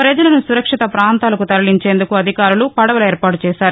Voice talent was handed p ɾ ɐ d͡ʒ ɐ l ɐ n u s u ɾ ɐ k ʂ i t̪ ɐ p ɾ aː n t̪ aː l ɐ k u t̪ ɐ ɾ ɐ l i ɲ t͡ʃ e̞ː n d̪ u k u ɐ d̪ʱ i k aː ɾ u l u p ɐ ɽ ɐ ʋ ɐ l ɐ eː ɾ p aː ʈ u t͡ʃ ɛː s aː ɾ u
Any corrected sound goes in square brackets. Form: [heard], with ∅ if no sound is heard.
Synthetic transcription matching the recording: p ɾ ɐ d͡ʒ ɐ l ɐ n u s u ɾ ɐ k ʂ i t̪ ɐ p ɾ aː n t̪ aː l ɐ k u t̪ ɐ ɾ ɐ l i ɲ t͡ʃ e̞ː n d̪ u k u ɐ d̪ʱ i k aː ɾ u l u p ɐ ɽ ɐ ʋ ɐ l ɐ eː ɾ p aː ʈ u t͡ʃ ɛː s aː ɾ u

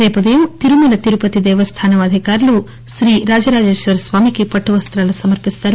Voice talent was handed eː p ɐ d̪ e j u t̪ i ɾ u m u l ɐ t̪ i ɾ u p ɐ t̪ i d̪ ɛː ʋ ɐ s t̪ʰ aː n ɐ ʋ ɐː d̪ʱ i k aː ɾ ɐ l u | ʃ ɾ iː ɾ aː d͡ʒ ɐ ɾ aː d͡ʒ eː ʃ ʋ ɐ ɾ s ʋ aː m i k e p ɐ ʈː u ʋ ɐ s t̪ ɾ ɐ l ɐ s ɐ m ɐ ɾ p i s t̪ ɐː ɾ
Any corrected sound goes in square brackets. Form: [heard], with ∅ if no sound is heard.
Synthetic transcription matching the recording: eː p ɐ d̪ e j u t̪ i ɾ u m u l ɐ t̪ i ɾ u p ɐ t̪ i d̪ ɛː ʋ ɐ s t̪ʰ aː n ɐ ʋ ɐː d̪ʱ i k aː ɾ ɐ l u | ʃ ɾ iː ɾ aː d͡ʒ ɐ ɾ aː d͡ʒ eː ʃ ʋ ɐ ɾ s ʋ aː m i k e p ɐ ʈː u ʋ ɐ s t̪ ɾ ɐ l ɐ s ɐ m ɐ ɾ p i s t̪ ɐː ɾ

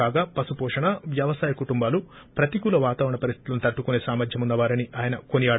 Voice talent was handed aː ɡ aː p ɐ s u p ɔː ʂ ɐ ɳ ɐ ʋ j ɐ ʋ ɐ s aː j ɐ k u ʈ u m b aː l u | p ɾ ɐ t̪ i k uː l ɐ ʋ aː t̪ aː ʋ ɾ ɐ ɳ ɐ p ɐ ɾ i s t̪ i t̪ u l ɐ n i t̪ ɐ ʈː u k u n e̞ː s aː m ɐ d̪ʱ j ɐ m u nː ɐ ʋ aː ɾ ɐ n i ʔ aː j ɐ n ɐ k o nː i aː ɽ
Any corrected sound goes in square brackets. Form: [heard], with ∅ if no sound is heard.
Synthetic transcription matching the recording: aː ɡ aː p ɐ s u p ɔː ʂ ɐ ɳ ɐ ʋ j ɐ ʋ ɐ s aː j ɐ k u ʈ u m b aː l u | p ɾ ɐ t̪ i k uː l ɐ ʋ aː t̪ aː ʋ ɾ ɐ ɳ ɐ p ɐ ɾ i s t̪ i t̪ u l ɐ n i t̪ ɐ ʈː u k u n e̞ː s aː m ɐ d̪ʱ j ɐ m u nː ɐ ʋ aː ɾ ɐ n i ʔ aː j ɐ n ɐ k o [n] i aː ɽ

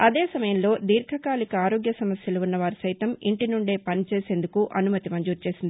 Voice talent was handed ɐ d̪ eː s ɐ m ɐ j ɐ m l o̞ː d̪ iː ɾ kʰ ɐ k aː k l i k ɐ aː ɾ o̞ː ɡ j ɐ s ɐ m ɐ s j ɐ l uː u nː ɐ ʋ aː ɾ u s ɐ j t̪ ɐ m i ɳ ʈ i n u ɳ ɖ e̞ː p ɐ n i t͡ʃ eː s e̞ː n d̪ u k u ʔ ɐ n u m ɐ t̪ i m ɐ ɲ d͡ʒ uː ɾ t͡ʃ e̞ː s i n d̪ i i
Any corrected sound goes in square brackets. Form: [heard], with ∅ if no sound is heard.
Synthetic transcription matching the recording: ɐ d̪ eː s ɐ m ɐ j ɐ m l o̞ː d̪ iː ɾ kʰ ɐ k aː [∅] l i k ɐ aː ɾ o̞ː ɡ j ɐ s ɐ m ɐ s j ɐ l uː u nː ɐ ʋ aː ɾ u s ɐ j t̪ ɐ m i ɳ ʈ i n u ɳ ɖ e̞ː p ɐ n i t͡ʃ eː s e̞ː n d̪ u k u ʔ ɐ n u m ɐ t̪ i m ɐ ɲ d͡ʒ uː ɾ t͡ʃ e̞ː s i n d̪ i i

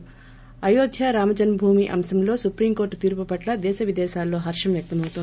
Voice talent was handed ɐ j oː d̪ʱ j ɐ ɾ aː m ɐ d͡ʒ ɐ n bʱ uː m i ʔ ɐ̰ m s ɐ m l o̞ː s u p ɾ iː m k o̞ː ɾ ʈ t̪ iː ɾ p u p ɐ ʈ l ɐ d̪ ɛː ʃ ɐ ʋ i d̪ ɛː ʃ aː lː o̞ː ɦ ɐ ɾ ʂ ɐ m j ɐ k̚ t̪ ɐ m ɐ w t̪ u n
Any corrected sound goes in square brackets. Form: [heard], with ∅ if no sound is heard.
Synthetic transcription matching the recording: ɐ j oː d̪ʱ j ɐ ɾ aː m ɐ d͡ʒ ɐ n bʱ uː m i ʔ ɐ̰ m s ɐ m l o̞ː s u p ɾ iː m k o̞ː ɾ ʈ t̪ iː ɾ p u p ɐ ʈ l ɐ d̪ ɛː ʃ ɐ ʋ i d̪ ɛː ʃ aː lː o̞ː ɦ ɐ ɾ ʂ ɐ m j ɐ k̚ t̪ ɐ m ɐ w t̪ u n

